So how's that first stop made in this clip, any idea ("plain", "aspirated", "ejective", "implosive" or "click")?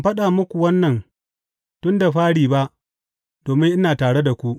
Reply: implosive